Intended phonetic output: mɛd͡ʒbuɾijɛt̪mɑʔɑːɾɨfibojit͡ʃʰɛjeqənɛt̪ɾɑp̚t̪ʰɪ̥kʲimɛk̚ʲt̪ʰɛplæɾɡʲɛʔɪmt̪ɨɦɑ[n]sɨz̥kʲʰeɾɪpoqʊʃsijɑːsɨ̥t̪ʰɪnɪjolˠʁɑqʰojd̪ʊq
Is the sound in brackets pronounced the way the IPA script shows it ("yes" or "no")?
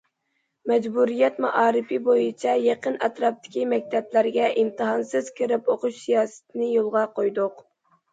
yes